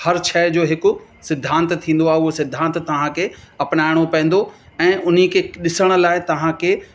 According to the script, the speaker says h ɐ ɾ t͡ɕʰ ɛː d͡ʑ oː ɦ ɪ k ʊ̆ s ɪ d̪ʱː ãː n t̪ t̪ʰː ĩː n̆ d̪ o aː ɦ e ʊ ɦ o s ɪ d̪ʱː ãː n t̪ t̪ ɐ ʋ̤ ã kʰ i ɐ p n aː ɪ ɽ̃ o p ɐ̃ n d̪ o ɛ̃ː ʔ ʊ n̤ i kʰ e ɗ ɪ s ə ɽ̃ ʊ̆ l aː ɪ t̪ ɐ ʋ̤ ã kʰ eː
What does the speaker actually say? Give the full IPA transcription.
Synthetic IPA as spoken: h ɐ ɾ t͡ɕʰ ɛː d͡ʑ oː ɦ ɪ k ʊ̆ s ɪ d̪ʱː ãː n t̪ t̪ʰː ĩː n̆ d̪ o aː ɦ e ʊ ɦ o s ɪ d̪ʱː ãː n t̪ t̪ ɐ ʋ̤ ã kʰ e ɐ p n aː ɪ ɽ̃ o p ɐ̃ n d̪ o ɛ̃ː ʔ ʊ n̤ i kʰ e ɗ ɪ s ə ɽ̃ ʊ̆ l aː ɪ t̪ ɐ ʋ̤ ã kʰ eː